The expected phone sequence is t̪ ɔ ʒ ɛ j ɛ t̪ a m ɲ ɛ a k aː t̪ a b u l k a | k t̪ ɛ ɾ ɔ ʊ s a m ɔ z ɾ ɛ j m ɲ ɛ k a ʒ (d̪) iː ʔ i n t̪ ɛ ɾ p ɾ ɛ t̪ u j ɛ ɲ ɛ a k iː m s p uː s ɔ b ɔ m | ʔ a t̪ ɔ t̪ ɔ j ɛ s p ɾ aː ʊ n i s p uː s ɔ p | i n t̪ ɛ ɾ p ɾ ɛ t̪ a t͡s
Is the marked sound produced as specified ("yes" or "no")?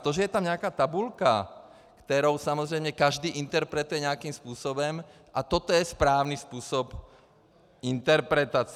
yes